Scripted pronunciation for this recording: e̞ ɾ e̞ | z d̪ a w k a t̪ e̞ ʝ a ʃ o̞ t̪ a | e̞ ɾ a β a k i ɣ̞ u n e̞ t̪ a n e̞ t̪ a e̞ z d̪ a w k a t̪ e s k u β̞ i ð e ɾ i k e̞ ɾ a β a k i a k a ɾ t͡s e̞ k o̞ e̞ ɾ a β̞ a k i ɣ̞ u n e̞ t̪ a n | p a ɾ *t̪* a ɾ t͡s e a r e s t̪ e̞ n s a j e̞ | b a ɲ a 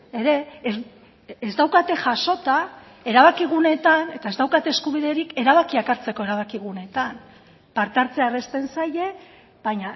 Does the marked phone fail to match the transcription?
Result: no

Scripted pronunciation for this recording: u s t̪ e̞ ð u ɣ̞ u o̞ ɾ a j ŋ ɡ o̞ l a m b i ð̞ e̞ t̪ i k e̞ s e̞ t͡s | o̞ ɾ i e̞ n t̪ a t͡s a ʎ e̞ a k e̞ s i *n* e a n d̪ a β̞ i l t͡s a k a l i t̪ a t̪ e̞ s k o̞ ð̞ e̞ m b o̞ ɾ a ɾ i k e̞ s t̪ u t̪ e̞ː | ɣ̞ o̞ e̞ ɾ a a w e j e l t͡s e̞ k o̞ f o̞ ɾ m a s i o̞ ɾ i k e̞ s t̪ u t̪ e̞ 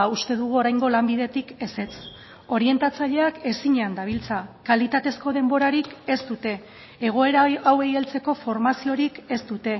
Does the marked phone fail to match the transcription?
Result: yes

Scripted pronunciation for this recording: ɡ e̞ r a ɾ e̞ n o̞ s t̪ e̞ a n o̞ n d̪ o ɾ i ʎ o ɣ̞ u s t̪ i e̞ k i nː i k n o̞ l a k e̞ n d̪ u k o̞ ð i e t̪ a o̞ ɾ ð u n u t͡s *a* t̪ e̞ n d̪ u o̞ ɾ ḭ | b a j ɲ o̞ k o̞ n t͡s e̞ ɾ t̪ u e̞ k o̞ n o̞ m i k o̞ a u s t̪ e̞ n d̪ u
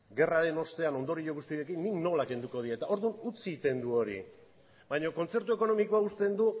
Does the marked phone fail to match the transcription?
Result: yes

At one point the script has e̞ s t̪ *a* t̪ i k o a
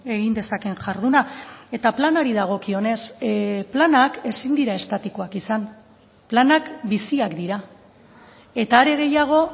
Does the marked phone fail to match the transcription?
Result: no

